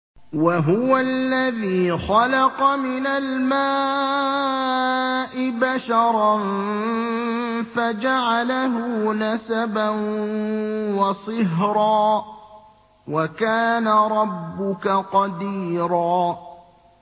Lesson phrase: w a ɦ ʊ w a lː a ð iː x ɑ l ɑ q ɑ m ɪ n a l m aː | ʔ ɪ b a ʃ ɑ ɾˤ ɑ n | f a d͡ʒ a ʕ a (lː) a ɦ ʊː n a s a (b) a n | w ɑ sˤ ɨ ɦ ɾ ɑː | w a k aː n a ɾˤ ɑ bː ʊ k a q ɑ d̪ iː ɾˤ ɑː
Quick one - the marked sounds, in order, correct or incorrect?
incorrect: l, correct

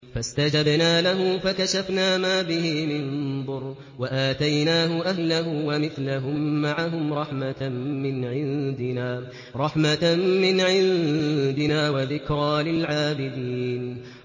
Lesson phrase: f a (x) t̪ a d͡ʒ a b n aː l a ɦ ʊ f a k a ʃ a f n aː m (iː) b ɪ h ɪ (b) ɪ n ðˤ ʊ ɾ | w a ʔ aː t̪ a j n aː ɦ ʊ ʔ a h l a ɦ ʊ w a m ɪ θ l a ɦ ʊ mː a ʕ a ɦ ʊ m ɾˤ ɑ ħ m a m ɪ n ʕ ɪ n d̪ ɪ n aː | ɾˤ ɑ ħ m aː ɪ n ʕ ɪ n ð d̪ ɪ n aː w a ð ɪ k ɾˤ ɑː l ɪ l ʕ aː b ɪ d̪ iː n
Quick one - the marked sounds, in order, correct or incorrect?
incorrect: s, incorrect: aː, incorrect: m

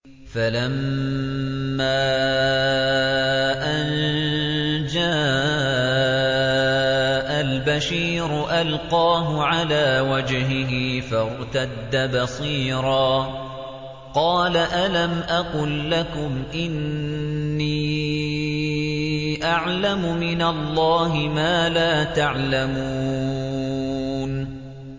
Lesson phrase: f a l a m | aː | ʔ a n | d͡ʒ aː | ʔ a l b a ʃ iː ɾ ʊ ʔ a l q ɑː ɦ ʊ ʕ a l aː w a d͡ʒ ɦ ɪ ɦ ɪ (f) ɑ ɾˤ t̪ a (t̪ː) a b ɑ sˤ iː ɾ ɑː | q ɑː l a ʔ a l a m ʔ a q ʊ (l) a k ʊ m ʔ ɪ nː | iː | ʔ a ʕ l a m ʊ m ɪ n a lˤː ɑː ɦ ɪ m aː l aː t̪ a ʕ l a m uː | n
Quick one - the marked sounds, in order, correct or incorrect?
correct, incorrect: d̪ː, incorrect: lː

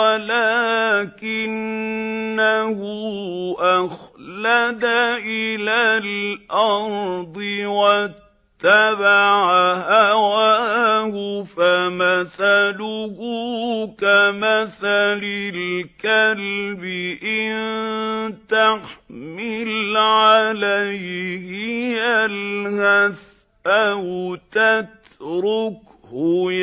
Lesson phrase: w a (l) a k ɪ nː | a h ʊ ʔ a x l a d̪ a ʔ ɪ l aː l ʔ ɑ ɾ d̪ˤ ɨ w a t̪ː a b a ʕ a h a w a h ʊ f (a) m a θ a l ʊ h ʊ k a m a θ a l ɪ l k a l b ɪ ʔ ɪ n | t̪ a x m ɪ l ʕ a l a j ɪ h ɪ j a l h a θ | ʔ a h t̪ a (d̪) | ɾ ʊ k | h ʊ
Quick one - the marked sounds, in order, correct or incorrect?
correct, correct, incorrect: t̪

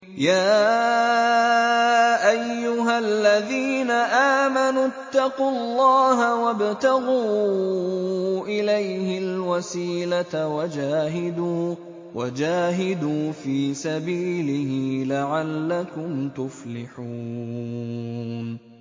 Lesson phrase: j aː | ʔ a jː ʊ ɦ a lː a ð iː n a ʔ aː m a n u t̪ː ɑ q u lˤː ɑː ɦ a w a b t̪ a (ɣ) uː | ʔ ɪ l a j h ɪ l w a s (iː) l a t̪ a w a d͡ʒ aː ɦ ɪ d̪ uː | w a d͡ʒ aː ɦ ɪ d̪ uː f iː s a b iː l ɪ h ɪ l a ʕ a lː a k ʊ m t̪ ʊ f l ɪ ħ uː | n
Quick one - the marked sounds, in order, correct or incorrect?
correct, correct

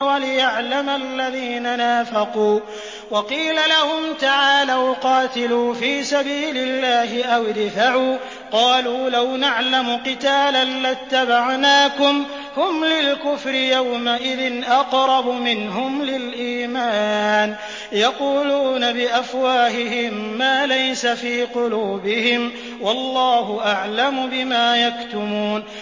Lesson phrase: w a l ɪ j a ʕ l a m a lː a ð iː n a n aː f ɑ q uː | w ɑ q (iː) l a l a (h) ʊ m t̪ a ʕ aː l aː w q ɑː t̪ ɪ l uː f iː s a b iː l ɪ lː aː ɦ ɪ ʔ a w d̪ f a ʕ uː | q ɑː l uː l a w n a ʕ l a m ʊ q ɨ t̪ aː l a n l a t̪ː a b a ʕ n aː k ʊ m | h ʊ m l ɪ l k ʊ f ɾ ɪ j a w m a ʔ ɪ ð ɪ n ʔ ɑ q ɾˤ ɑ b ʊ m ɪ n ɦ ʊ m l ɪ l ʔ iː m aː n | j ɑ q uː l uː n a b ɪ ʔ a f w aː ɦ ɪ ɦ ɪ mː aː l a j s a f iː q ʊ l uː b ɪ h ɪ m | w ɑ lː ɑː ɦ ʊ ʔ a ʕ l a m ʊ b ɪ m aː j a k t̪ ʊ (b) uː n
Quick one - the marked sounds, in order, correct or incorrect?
correct, correct, incorrect: m

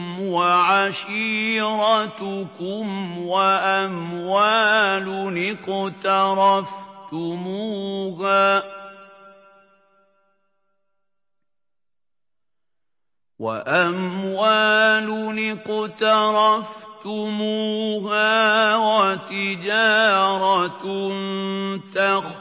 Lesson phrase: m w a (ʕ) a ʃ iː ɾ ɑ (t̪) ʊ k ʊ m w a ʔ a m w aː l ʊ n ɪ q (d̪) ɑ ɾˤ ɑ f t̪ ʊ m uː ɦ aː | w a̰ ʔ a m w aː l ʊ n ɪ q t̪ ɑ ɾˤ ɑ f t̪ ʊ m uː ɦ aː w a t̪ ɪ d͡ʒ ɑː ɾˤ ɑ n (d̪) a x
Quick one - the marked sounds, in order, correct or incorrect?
correct, correct, incorrect: t̪, incorrect: t̪

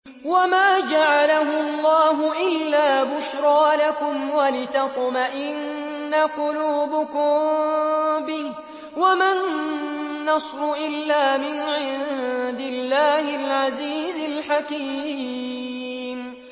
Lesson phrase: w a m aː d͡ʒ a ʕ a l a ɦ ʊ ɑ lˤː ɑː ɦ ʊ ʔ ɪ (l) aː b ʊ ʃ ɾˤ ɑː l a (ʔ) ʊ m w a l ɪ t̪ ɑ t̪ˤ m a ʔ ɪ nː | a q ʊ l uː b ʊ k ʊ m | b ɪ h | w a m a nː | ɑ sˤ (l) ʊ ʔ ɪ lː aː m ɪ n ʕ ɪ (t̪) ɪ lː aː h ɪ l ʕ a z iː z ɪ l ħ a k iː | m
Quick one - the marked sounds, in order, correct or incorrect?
incorrect: lː, incorrect: k, incorrect: ɾ, incorrect: d̪

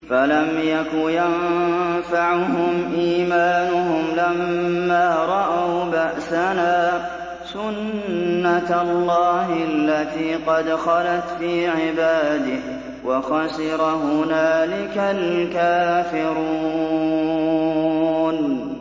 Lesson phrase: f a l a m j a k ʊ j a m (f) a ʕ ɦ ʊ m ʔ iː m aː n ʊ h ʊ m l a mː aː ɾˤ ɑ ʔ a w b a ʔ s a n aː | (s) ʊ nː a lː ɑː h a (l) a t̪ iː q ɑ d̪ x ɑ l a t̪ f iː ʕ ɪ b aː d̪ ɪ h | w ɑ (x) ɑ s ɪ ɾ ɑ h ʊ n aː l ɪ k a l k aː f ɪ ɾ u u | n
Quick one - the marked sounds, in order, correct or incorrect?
correct, correct, incorrect: lː, correct

